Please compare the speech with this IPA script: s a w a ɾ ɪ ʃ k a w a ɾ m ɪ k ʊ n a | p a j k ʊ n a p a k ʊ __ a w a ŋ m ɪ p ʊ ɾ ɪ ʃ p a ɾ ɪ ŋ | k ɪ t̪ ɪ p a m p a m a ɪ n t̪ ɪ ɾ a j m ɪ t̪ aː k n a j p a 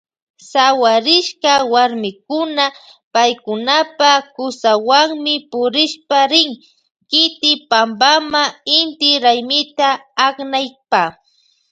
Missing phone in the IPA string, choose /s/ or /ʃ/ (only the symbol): s